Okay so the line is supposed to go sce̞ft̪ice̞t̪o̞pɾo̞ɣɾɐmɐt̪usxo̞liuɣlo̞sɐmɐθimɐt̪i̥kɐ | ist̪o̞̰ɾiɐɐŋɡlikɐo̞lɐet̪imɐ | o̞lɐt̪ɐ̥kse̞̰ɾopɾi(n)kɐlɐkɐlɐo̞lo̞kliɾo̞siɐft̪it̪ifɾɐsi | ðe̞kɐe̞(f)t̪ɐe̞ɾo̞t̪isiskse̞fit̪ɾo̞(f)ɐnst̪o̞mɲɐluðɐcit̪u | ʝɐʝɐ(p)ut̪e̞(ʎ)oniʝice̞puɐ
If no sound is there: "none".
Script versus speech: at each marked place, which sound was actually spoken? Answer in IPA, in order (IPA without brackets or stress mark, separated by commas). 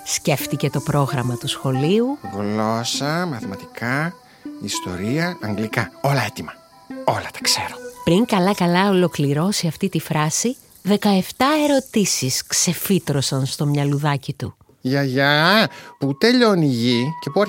ŋ, f, s, p, ʎ